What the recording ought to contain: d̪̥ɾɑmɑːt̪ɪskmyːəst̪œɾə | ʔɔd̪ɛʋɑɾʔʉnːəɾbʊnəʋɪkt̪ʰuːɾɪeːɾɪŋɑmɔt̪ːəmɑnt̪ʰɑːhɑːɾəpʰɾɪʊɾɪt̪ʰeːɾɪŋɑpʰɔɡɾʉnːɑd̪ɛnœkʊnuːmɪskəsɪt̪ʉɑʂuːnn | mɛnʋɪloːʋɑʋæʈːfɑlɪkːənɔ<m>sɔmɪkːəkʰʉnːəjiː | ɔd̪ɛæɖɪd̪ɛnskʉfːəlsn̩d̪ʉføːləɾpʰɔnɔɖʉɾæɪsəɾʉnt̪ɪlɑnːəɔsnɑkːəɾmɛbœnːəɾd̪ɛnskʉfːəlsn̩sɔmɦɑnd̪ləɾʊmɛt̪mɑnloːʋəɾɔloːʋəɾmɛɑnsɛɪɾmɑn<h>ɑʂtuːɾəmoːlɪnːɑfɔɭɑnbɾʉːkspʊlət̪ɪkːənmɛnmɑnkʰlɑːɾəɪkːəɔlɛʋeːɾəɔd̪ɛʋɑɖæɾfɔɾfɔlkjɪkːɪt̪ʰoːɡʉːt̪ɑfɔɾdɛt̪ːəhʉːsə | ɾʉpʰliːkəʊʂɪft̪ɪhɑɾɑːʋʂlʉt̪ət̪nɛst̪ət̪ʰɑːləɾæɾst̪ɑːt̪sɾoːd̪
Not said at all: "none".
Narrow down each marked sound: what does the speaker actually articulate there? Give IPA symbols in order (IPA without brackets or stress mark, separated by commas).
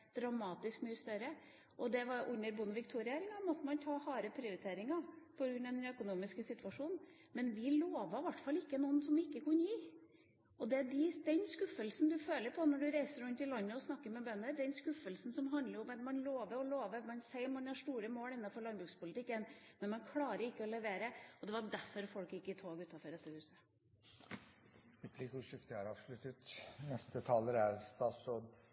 n, h